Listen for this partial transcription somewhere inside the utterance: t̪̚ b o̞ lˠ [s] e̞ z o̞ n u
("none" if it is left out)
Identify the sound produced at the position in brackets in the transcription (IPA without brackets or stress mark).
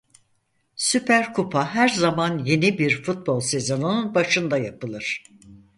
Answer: s